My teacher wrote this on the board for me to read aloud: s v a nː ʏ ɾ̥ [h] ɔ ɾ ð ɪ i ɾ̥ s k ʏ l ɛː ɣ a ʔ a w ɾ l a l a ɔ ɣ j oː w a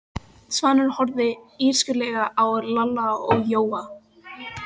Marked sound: correct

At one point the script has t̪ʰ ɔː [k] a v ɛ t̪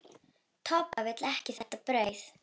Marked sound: incorrect: p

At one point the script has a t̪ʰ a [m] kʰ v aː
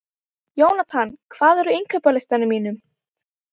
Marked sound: incorrect: n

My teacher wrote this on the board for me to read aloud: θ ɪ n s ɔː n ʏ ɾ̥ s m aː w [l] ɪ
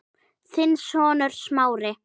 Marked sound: incorrect: ɾ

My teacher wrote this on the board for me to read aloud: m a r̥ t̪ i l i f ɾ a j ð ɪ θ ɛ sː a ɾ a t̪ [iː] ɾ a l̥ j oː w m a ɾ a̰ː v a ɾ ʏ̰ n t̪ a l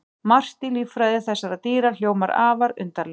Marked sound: correct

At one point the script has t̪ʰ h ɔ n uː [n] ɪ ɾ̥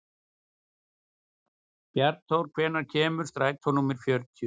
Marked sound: incorrect: m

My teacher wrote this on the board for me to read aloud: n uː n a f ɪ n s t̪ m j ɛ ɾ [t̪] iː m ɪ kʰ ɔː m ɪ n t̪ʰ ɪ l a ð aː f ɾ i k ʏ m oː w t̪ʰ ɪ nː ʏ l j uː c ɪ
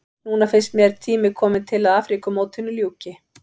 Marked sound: incorrect: t̪ʰ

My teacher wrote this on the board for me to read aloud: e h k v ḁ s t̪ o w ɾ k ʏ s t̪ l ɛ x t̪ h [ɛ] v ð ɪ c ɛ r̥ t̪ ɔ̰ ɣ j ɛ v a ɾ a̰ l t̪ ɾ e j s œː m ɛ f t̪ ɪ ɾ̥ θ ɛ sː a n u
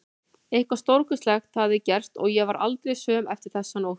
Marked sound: incorrect: a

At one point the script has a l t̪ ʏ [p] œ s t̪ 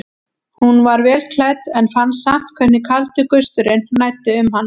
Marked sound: incorrect: k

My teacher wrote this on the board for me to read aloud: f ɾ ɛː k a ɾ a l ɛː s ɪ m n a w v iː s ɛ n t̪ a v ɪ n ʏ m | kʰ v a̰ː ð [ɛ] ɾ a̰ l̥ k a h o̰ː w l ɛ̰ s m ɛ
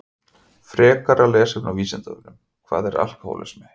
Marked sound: correct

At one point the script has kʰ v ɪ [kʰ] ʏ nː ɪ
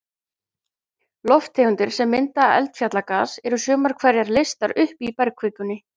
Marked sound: incorrect: k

